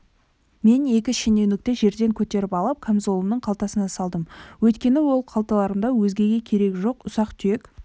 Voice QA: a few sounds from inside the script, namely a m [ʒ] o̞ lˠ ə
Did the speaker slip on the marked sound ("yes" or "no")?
yes